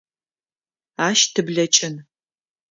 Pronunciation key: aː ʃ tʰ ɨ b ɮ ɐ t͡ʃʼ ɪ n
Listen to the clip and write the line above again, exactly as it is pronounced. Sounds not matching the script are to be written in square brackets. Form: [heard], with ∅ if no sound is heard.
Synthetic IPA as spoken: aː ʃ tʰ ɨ b ɮ ɐ t͡ʃʼ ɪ n